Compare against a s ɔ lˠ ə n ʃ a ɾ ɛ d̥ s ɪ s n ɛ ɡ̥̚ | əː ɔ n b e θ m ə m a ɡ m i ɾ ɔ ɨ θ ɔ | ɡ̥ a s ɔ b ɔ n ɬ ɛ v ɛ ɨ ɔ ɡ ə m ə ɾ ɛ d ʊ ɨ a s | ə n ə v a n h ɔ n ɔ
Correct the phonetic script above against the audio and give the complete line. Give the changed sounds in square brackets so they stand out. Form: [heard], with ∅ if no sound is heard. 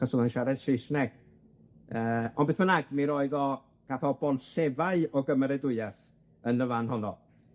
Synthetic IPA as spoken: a s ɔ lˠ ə n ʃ a ɾ ɛ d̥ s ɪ s n ɛ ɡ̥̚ | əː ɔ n b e θ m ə [n] a ɡ m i ɾ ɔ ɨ [ð] ɔ | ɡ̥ a [θ] ɔ b ɔ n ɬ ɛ v [a] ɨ ɔ ɡ ə m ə ɾ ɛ d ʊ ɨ a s | ə n ə v a n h ɔ n ɔ

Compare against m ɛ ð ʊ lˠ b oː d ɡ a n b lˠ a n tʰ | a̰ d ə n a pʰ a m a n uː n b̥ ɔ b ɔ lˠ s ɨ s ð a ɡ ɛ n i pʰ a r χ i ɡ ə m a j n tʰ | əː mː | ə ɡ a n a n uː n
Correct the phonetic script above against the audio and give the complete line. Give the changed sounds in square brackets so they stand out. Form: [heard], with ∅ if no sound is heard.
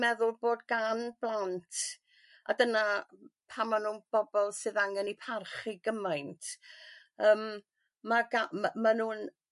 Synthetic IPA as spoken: m ɛ ð ʊ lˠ b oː d ɡ a n b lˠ a n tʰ | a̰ d ə n a pʰ a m a n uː n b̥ ɔ b ɔ lˠ s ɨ [∅] ð a [ŋ] ɛ n i pʰ a r χ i ɡ ə m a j n tʰ | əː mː | [a] ɡ a [m] a n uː n

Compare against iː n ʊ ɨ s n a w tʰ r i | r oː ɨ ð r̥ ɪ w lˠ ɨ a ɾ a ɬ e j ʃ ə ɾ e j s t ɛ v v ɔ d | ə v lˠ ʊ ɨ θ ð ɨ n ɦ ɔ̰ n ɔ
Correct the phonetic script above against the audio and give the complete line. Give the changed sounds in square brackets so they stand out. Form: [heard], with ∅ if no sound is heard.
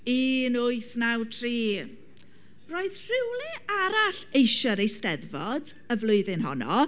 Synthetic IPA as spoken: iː n ʊ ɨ [θ] n a w tʰ r [iː] | r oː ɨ ð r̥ ɪ w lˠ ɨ a ɾ a ɬ e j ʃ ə ɾ e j s t ɛ [ð] v ɔ d | ə v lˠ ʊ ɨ [∅] ð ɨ n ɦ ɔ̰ n ɔ

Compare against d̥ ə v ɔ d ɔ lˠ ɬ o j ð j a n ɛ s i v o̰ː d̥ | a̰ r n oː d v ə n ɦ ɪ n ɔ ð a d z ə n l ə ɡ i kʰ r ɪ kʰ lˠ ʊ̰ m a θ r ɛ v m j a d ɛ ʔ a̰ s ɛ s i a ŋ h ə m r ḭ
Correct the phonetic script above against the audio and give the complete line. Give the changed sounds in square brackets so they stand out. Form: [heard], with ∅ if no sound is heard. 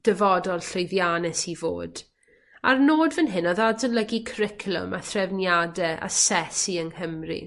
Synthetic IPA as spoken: d̥ ə v ɔ d ɔ lˠ ɬ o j ð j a n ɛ s i v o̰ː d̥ | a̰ r n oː d v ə n ɦ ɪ n ɔ ð a d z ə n l ə ɡ i kʰ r ɪ kʰ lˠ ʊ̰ m a θ r ɛ v [n] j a d ɛ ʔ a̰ s ɛ s i [ə] ŋ h ə m r ḭ

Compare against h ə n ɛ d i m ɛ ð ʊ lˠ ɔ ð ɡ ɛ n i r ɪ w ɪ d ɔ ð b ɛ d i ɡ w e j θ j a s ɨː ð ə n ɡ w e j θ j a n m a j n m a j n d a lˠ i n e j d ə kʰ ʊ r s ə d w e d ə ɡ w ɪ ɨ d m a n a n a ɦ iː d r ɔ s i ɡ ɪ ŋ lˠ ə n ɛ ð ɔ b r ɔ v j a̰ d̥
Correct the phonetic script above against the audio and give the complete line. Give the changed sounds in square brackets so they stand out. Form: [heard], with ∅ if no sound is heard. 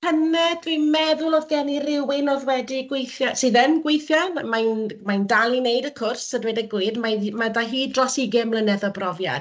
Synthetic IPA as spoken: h ə n ɛ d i m ɛ ð ʊ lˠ ɔ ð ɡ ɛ n i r ɪ w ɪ [n] ɔ ð [w] ɛ d i ɡ w e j θ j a s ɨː ð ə n ɡ w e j θ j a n m a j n m a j n d a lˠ i n e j d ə kʰ ʊ r s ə d w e d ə ɡ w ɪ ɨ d m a [m] a [d] a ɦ iː d r ɔ s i ɡ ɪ [m] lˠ ə n ɛ ð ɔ b r ɔ v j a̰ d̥

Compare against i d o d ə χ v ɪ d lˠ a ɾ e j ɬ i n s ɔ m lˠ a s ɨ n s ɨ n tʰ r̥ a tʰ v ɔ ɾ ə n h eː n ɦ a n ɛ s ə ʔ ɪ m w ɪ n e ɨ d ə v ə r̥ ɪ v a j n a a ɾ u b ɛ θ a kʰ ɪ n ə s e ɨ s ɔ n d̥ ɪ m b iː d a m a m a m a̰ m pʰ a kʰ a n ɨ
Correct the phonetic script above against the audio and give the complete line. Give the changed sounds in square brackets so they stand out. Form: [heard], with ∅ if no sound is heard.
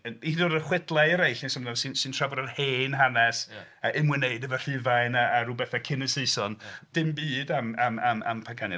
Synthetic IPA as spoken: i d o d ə χ [w] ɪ d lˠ a ɾ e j ɬ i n s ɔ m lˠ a s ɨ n s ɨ n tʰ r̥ a [∅] v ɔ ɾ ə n h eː n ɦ a n ɛ s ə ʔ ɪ m w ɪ n e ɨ d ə v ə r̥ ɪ v a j n a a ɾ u b ɛ θ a kʰ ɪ n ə s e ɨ s ɔ n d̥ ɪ m b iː d a m a m a m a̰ m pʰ a kʰ a n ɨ

